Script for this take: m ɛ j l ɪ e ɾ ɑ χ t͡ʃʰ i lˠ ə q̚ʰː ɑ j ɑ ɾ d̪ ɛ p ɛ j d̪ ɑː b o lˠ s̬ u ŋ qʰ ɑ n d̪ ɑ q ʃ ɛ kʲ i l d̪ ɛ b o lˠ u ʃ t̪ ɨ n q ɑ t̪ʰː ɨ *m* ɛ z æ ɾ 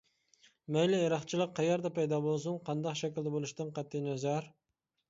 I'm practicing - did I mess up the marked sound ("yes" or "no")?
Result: yes